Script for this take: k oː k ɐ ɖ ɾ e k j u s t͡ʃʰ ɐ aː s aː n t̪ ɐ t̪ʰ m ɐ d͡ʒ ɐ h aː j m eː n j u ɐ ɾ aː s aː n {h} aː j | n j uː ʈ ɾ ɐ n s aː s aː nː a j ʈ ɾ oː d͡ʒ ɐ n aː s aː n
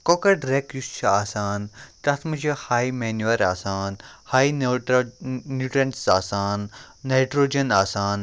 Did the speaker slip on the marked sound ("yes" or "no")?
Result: no